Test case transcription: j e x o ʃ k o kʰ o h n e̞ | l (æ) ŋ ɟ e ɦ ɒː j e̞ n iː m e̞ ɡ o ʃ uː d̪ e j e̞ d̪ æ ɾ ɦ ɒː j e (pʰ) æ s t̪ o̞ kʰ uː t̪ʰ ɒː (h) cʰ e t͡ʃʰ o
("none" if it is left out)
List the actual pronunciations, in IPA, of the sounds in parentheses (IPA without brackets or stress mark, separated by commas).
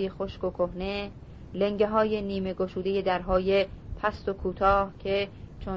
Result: e, pʰ, h